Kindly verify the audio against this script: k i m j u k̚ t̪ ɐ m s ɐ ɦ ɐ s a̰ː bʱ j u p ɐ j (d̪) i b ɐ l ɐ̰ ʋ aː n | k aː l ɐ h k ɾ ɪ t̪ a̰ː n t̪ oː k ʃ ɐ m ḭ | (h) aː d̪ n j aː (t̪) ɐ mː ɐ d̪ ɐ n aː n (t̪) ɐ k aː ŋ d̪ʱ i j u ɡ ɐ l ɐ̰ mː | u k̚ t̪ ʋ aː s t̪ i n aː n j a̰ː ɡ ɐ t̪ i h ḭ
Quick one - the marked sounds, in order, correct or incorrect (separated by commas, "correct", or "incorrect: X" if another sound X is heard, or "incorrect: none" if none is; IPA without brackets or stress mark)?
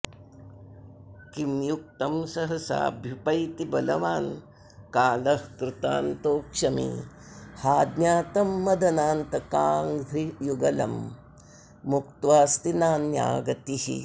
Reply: incorrect: t̪, correct, correct, correct